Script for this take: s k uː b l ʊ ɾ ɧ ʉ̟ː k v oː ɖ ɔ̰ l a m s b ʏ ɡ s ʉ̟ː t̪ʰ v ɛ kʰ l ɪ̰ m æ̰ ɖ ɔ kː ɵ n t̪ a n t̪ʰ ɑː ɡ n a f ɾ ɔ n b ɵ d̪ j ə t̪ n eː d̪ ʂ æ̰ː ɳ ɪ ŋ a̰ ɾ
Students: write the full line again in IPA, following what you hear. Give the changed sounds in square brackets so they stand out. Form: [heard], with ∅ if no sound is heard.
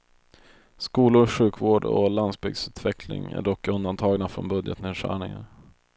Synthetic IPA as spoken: s k uː [∅] l ʊ ɾ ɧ ʉ̟ː k v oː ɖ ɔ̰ l a [n] s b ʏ ɡ s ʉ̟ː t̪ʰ v ɛ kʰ l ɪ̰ [ŋ] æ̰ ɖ ɔ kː ɵ n [d̪] a n t̪ʰ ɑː ɡ n a f ɾ ɔ n b ɵ d̪ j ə t̪ n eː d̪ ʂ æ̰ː ɳ ɪ ŋ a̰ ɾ